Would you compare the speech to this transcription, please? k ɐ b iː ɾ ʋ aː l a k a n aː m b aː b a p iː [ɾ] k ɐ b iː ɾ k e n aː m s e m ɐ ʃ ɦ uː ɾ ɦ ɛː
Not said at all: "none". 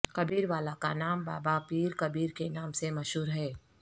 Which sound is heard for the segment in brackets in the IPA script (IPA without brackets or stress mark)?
ɾ